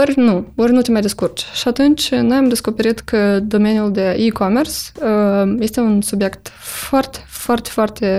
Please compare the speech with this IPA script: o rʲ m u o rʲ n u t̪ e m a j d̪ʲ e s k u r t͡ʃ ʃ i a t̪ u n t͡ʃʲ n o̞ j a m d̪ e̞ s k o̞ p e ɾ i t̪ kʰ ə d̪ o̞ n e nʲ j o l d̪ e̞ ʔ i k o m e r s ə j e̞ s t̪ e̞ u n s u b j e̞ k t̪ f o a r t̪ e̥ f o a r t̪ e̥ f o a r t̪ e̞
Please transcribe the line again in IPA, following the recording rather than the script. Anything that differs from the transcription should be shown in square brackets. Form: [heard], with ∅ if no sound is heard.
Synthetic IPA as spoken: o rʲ [n] u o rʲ n u t̪ e m a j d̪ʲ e s k u r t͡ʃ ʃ i a t̪ u n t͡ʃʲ n o̞ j a m d̪ e̞ s k o̞ p e ɾ i t̪ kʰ ə d̪ o̞ [m] e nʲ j [u] l d̪ e̞ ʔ i k o m e r s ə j e̞ s t̪ e̞ u n s u b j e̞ k t̪ f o a r t̪ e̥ f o a r t̪ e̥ f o a r t̪ e̞